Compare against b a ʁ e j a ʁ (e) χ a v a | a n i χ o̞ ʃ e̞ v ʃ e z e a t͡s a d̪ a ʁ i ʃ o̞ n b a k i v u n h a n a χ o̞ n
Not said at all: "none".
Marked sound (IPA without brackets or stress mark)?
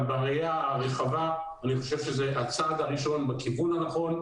e